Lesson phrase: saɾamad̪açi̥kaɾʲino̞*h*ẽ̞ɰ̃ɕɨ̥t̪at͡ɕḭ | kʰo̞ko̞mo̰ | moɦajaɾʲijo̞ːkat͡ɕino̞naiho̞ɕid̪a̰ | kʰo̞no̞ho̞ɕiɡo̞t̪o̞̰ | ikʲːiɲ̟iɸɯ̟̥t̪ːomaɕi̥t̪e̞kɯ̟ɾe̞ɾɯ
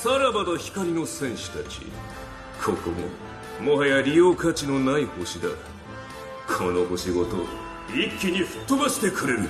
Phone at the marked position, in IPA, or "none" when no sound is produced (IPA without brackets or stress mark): s